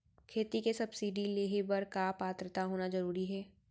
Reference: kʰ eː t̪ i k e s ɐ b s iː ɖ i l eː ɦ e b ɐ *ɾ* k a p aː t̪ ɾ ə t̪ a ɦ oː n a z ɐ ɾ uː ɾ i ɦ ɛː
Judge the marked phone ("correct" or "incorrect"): correct